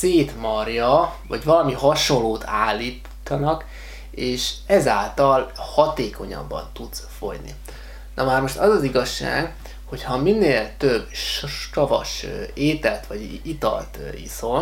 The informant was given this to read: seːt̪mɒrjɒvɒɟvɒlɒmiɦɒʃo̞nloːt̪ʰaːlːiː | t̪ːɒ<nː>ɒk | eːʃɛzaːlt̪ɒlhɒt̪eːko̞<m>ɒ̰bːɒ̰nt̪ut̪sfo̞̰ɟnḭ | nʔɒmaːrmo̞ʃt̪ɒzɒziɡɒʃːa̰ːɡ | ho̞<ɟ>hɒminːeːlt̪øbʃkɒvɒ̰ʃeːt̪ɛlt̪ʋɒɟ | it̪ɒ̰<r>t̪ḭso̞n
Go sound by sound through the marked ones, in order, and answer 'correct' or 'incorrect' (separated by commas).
incorrect, incorrect, incorrect, incorrect